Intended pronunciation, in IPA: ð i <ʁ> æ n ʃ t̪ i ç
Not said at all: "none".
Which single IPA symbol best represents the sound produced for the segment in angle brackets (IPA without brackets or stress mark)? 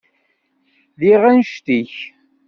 ʁ